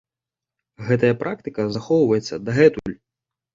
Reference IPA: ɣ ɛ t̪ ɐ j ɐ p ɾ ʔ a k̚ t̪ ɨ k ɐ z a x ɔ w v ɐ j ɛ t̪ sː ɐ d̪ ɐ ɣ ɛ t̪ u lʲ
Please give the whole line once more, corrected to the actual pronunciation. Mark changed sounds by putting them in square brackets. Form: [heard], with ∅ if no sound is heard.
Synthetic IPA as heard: ɣ ɛ t̪ ɐ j ɐ p ɾ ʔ a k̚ t̪ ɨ k ɐ z a x ɔ w v ɐ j ɛ t̪ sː ɐ d̪ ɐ ɣ ɛ t̪ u lʲ